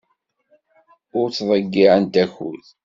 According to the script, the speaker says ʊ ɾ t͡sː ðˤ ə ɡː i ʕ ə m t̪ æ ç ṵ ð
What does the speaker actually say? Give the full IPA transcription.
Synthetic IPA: ʊ ɾ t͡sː ðˤ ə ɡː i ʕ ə n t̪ æ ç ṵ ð